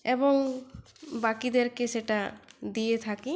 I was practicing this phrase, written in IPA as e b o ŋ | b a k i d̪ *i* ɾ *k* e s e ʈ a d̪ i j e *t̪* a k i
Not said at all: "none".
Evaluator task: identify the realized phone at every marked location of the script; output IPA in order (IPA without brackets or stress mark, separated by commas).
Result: e, k, t̪ʰ